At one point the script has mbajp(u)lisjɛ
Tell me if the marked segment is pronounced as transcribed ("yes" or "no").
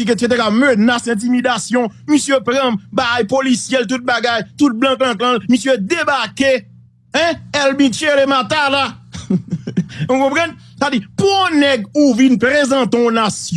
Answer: no